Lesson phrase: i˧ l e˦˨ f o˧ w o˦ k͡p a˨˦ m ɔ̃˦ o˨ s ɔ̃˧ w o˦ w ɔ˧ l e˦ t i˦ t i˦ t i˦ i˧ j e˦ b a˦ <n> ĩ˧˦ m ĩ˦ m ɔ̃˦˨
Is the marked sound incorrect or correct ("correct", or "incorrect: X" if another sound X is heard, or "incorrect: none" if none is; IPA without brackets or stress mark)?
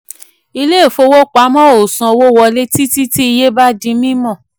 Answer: incorrect: d